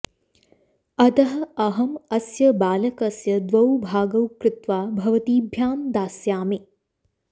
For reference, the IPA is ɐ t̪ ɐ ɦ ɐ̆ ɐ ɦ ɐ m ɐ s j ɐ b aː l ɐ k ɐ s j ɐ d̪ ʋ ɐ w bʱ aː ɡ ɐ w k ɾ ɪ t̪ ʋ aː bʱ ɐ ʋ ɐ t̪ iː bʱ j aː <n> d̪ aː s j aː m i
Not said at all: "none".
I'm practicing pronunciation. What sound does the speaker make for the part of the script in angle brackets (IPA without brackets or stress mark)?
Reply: m